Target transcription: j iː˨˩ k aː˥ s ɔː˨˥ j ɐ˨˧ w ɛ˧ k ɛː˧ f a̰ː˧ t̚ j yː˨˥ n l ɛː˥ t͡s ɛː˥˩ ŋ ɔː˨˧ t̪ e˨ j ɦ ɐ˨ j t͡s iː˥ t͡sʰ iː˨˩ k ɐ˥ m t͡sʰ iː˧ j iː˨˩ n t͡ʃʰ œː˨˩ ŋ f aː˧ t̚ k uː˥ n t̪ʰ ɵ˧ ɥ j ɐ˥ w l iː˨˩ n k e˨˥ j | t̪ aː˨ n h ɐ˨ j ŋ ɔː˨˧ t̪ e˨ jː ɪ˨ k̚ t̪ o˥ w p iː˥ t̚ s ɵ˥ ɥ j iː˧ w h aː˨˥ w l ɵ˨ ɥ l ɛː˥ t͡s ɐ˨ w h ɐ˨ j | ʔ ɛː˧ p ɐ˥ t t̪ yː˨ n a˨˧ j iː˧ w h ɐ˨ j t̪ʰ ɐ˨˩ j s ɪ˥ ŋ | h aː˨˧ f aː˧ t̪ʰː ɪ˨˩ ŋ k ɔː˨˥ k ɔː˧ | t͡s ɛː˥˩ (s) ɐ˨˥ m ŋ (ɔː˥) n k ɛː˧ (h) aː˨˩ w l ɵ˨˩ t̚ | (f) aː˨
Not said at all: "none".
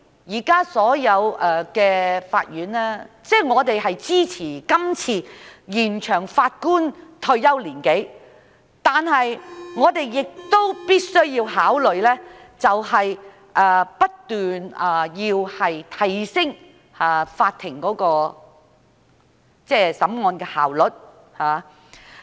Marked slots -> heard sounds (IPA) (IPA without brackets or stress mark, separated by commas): s, ɔː˧, h, h